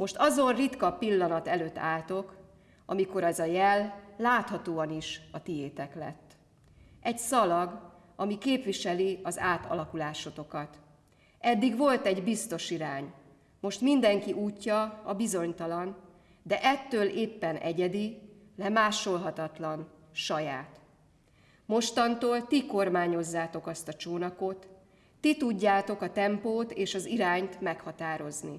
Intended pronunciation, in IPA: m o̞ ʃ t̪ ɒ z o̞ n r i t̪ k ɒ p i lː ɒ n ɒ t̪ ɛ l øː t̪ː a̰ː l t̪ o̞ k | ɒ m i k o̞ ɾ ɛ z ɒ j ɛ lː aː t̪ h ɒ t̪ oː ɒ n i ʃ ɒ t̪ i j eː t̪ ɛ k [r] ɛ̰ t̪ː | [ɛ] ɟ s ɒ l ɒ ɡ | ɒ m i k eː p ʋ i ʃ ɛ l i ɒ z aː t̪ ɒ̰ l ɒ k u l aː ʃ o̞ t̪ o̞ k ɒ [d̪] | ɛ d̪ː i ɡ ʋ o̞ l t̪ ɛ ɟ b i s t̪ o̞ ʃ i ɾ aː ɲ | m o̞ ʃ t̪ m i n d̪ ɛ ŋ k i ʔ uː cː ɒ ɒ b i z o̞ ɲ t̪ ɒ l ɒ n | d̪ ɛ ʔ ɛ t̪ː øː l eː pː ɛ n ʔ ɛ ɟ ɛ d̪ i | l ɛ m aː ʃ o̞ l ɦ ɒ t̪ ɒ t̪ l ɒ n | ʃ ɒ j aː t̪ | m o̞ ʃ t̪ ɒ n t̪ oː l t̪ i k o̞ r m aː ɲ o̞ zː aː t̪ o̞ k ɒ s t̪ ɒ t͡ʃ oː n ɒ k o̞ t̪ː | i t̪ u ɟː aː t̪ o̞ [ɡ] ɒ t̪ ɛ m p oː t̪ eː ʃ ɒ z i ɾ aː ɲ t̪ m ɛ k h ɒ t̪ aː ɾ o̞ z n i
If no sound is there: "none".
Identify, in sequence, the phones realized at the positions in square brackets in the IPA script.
l, ɛ, t̪, k

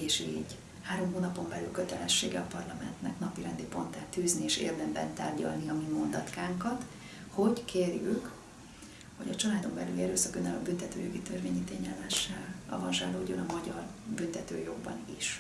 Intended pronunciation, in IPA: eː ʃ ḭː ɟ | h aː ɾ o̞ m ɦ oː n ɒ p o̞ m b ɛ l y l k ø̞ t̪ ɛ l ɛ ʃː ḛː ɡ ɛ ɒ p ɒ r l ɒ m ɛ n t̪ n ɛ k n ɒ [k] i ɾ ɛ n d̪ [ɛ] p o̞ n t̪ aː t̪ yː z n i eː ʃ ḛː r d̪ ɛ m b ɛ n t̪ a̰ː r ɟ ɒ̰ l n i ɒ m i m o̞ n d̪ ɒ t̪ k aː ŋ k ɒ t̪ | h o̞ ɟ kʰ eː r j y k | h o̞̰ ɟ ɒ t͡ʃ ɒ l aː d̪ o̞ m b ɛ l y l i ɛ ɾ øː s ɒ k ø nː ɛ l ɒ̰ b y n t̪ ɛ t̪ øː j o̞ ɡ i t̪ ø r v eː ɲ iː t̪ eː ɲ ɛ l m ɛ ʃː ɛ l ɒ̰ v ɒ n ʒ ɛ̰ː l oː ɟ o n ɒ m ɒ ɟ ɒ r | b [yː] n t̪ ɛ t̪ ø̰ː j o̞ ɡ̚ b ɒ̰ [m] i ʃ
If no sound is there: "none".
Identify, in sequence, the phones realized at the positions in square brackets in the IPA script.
p, i, y, n

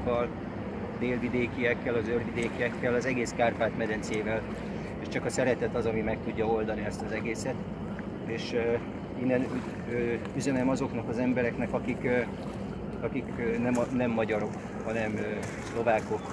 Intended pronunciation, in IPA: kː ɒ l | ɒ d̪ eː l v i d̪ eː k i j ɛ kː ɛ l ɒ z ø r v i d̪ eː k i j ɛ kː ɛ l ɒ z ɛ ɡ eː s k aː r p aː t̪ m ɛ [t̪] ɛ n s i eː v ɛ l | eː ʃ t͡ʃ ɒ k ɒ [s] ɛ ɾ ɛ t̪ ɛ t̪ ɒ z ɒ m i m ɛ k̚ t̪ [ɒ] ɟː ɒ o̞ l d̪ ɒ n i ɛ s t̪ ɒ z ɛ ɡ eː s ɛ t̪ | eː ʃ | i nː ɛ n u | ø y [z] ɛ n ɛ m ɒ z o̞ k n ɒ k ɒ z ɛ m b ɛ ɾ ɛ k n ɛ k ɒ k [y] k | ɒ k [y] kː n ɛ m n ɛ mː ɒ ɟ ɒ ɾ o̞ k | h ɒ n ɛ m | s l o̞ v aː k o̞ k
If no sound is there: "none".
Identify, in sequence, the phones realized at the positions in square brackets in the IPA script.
d̪, s, u, z, i, i

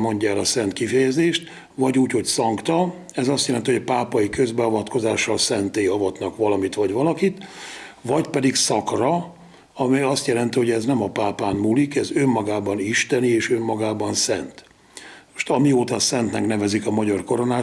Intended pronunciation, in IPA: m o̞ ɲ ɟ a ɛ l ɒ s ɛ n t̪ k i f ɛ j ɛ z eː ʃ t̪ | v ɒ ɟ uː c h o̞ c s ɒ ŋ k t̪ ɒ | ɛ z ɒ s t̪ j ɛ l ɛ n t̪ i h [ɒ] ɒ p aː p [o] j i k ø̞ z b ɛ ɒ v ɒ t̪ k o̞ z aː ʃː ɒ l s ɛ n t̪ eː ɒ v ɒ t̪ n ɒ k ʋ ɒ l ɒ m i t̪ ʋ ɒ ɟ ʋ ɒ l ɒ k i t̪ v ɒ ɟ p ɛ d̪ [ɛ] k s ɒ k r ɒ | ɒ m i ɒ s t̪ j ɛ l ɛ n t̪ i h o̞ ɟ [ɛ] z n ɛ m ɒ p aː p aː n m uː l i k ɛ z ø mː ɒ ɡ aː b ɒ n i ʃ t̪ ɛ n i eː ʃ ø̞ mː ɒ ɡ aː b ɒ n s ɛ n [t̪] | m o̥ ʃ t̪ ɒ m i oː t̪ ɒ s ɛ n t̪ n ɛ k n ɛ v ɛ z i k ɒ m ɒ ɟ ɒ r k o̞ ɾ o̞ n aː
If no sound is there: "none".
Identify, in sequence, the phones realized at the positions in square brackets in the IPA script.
o, ɒ, i, ɛ, t̪

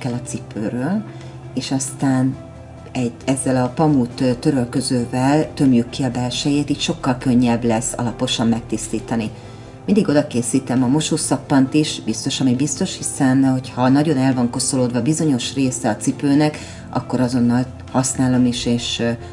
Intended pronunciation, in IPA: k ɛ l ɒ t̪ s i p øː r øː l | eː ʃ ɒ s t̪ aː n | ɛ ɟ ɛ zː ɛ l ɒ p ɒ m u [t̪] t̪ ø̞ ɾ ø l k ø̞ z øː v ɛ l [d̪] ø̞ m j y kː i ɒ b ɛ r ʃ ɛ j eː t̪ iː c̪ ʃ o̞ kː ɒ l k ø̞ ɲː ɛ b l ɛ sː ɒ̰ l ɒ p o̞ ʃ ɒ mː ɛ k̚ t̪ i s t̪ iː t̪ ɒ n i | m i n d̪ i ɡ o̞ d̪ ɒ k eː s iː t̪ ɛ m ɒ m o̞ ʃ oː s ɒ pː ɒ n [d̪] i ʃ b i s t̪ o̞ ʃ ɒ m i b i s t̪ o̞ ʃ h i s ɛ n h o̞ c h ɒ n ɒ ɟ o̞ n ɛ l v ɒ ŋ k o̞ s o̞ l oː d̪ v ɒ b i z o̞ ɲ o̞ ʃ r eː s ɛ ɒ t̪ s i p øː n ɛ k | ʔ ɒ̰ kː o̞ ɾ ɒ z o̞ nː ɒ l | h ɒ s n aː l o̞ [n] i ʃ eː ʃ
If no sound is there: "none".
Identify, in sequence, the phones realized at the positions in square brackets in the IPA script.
t̪, t̪, t̪, m

